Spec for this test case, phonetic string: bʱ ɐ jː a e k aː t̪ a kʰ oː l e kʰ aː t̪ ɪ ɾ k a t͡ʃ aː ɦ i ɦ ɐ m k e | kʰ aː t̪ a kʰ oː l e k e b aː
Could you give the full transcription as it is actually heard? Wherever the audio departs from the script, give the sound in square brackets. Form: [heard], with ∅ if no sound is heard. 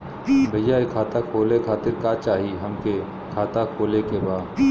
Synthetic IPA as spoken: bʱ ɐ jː a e [kʰ] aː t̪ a kʰ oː l e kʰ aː t̪ ɪ ɾ k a t͡ʃ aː ɦ i ɦ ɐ m k e | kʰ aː t̪ a kʰ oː l e k e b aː